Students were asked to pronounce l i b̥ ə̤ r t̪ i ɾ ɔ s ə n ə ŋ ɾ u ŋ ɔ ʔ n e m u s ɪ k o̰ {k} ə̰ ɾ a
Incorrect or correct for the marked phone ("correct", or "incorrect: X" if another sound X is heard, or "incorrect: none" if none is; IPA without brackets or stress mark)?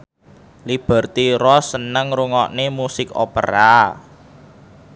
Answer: incorrect: p